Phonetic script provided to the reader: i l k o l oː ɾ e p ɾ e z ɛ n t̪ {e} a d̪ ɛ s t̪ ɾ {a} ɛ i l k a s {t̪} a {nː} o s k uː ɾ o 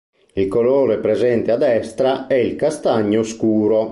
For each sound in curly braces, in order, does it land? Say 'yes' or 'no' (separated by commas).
yes, yes, yes, no